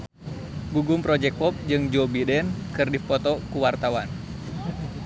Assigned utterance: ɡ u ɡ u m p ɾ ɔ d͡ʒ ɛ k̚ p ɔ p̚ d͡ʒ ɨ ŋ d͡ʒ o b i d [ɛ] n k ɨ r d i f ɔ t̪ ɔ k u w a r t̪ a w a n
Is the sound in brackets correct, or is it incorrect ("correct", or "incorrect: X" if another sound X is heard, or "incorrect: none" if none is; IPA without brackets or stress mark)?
correct